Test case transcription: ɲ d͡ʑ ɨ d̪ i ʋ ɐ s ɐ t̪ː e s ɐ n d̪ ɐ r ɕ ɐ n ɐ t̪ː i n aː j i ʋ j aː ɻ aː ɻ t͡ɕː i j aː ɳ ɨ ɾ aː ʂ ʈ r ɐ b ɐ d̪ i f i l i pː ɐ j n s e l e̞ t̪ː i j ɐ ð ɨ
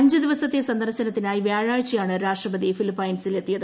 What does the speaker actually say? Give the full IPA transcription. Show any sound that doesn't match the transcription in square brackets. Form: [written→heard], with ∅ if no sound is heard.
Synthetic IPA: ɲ d͡ʑ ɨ d̪ i ʋ ɐ s ɐ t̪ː e s ɐ n d̪ ɐ r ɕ ɐ n ɐ t̪ː i n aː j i ʋ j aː ɻ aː ɻ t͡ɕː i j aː ɳ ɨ ɾ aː ʂ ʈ r ɐ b ɐ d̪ i f i l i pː ɐ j n s [e→i] l e̞ t̪ː i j ɐ ð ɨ